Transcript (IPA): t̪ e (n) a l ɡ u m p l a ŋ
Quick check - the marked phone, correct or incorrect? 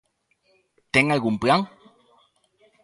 incorrect